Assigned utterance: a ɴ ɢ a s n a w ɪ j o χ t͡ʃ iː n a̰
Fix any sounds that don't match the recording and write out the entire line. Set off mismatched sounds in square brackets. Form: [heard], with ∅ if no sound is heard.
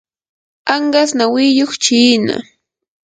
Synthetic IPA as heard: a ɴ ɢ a s n a w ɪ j o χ t͡ʃ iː n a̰